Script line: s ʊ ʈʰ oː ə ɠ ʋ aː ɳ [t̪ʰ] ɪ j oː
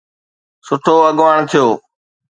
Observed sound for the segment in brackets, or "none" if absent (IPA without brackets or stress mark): t̪ʰ